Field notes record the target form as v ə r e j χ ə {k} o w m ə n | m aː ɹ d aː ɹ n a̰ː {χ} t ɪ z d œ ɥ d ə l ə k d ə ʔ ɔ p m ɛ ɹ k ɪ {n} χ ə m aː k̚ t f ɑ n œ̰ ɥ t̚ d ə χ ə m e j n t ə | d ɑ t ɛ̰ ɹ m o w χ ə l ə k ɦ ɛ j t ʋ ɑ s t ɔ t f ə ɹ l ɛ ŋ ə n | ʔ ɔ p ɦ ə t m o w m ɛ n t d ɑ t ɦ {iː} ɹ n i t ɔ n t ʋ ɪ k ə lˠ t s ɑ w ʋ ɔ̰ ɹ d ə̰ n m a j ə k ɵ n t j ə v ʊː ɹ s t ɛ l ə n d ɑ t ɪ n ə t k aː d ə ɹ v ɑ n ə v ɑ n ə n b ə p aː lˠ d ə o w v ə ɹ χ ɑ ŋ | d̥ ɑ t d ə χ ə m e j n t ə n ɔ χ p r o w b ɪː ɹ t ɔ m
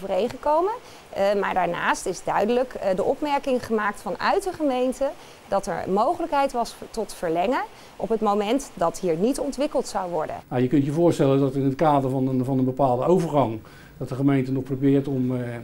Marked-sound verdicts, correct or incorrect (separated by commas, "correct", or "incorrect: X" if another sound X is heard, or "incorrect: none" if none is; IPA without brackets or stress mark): correct, incorrect: s, incorrect: ŋ, correct